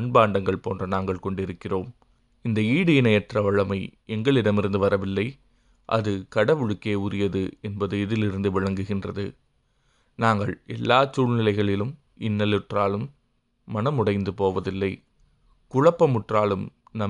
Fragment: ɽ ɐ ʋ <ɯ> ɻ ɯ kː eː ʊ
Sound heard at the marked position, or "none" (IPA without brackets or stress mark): ɯ